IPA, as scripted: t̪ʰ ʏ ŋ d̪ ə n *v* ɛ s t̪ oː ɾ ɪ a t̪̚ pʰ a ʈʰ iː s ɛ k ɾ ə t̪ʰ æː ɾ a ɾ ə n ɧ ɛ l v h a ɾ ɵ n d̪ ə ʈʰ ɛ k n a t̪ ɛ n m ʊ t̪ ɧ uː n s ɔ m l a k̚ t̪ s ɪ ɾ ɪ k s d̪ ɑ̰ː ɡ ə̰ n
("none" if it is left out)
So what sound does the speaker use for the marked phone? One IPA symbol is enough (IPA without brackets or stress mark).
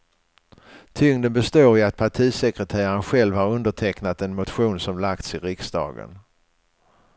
b